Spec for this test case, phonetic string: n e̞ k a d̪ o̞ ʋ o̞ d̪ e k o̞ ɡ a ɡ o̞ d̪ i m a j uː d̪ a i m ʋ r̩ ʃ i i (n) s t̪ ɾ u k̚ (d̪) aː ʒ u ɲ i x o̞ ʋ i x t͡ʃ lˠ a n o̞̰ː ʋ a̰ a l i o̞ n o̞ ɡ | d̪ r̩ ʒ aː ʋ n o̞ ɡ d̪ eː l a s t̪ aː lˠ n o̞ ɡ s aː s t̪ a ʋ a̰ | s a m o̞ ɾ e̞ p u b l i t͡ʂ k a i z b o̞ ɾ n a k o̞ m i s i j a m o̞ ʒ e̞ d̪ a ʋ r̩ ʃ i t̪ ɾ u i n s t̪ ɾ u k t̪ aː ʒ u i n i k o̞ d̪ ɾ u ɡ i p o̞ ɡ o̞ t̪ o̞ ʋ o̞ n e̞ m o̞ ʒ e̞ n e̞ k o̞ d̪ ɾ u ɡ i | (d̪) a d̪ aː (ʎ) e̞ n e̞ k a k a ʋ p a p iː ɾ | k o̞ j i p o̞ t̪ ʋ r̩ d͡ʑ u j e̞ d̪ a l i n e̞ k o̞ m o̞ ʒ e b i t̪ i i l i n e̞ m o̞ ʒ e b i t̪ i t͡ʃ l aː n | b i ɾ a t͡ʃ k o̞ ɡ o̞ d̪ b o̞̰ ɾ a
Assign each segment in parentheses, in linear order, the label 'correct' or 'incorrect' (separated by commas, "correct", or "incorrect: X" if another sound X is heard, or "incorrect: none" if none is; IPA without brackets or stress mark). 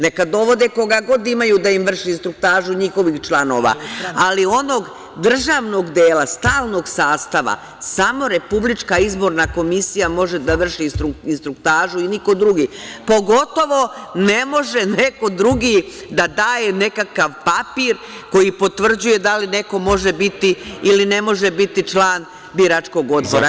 correct, incorrect: t̪, correct, incorrect: j